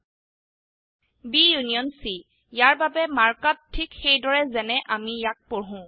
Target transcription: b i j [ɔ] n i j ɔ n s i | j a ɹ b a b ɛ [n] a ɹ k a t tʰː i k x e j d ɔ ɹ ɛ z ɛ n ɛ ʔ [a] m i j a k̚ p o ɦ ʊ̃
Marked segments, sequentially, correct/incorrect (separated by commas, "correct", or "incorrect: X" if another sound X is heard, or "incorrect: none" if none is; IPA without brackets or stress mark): incorrect: u, incorrect: m, correct